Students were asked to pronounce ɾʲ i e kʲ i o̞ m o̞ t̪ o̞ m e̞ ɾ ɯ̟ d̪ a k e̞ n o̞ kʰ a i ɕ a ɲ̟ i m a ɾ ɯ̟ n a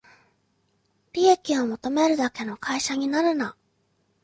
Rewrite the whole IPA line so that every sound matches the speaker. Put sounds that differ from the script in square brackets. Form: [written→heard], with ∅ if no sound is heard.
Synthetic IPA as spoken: ɾʲ i e kʲ i o̞ m o̞ t̪ o̞ m e̞ ɾ ɯ̟ d̪ a k e̞ n o̞ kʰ a i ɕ a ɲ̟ i [m→n] a ɾ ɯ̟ n a